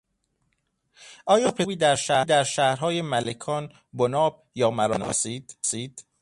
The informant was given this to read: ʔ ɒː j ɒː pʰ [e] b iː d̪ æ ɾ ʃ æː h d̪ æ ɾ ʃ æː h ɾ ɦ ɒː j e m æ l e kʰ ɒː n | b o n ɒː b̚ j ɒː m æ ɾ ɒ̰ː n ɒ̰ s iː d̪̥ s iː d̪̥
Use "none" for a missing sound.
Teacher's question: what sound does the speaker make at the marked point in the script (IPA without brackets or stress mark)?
e